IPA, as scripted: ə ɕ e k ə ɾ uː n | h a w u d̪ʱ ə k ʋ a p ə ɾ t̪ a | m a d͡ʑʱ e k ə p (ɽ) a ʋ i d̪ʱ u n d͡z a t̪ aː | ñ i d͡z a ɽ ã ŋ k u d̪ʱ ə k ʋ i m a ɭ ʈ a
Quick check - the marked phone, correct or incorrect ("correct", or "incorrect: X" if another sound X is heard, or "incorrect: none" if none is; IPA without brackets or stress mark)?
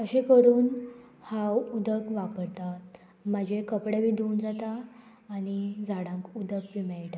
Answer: correct